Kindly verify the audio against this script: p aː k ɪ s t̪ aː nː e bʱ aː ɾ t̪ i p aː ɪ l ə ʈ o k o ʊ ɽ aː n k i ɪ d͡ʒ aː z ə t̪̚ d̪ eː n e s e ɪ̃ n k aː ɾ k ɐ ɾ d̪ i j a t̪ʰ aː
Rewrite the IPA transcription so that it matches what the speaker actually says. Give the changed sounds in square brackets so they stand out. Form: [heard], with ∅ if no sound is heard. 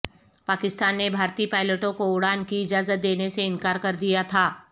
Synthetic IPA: p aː k ɪ s t̪ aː nː e bʱ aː ɾ t̪ i p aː ɪ l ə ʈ [õ] k o ʊ ɽ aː n k i ɪ d͡ʒ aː z ə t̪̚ d̪ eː n e s e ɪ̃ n k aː ɾ k ɐ ɾ d̪ i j a t̪ʰ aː